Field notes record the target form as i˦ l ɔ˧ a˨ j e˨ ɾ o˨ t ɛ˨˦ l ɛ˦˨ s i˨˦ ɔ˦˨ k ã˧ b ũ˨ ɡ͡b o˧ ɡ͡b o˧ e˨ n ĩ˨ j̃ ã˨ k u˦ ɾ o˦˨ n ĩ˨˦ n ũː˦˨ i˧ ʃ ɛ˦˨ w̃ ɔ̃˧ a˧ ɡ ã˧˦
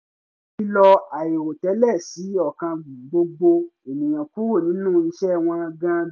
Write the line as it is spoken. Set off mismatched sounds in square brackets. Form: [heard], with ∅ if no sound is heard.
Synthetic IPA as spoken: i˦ l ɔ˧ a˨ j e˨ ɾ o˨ t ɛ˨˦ l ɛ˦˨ s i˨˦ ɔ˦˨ k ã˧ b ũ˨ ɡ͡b o˧ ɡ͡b o˧ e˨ n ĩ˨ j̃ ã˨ k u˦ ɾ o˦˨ n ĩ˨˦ n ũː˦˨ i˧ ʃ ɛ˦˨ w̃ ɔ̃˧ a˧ ɡ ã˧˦

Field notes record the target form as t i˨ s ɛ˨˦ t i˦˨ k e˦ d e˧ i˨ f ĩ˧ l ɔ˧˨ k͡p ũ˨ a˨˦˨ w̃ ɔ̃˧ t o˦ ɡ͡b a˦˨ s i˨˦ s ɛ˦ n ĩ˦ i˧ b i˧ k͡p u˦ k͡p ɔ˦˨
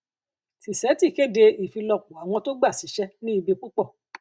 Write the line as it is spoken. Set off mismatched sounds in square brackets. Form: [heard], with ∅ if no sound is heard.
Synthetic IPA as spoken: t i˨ s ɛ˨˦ t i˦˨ k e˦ d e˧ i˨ f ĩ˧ l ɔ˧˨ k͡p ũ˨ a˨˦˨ w̃ ɔ̃˧ t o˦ ɡ͡b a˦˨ s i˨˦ [ʃ] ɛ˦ n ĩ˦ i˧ b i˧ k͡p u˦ k͡p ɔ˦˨

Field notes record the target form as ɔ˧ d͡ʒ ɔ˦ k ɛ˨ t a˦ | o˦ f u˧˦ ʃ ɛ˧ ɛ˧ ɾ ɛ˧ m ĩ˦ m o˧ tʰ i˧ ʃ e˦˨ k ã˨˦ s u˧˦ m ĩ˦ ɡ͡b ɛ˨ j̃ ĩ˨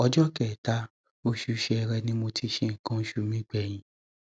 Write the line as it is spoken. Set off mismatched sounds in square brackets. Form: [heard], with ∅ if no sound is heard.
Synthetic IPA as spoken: ɔ˧ d͡ʒ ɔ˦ k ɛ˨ t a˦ | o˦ [ʃ] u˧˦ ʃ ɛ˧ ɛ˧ ɾ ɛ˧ [n] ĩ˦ m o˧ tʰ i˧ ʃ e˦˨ k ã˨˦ [ʃ] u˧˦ m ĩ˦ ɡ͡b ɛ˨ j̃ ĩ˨

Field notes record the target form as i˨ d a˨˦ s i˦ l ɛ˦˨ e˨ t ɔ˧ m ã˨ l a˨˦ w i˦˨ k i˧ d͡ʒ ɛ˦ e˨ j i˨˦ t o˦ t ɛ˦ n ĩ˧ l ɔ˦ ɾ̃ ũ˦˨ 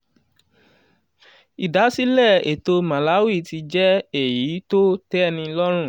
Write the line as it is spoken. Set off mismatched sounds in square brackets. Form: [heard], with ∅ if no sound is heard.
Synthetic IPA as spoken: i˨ d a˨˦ s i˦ l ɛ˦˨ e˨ t [o˧] m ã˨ l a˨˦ w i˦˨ [t] i˧ d͡ʒ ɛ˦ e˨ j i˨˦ t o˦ t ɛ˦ n ĩ˧ l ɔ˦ ɾ̃ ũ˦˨

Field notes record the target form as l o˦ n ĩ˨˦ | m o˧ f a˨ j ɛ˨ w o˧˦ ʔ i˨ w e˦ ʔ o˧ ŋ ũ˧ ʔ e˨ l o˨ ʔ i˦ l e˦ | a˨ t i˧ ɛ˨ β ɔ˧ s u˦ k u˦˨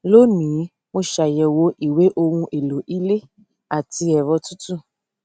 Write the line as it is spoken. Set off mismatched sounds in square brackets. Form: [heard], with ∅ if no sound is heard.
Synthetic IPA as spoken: l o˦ n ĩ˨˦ | m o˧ [ʃ] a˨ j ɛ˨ w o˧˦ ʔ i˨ w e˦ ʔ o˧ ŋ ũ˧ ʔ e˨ l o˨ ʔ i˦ l e˦ | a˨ t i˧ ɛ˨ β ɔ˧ [t] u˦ [t] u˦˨

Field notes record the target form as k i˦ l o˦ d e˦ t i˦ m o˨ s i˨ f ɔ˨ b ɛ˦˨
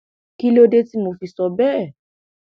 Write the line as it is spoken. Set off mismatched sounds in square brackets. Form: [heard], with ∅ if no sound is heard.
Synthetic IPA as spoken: k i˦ l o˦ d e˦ t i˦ m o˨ [f] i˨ [s] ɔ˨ b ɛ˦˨

